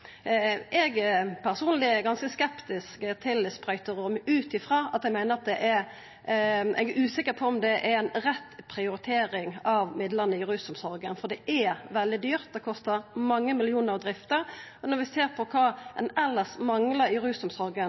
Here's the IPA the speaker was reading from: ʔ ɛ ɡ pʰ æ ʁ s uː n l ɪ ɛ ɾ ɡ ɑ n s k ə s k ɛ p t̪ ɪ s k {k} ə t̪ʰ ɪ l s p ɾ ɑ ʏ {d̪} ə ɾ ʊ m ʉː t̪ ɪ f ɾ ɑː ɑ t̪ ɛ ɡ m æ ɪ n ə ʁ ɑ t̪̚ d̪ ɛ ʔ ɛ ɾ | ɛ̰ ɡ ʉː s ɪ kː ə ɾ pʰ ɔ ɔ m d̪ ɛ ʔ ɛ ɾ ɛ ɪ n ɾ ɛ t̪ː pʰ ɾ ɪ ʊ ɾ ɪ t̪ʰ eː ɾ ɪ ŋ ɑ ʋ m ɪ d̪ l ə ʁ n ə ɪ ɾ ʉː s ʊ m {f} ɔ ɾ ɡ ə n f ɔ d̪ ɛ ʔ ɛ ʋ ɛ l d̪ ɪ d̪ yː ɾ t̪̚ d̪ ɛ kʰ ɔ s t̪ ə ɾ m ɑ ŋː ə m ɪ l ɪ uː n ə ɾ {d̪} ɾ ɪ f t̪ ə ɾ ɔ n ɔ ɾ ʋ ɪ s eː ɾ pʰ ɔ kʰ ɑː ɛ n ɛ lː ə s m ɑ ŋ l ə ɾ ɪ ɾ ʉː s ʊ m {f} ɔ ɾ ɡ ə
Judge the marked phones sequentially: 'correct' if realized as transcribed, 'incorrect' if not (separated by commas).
correct, incorrect, incorrect, correct, incorrect